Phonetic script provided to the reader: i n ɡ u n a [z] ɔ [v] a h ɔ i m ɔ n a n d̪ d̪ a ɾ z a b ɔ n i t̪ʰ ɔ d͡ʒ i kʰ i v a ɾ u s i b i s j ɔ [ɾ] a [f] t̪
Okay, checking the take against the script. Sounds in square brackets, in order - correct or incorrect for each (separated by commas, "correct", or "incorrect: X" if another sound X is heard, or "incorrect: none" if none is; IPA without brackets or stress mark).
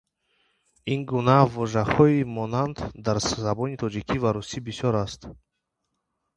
incorrect: v, incorrect: ʒ, correct, incorrect: s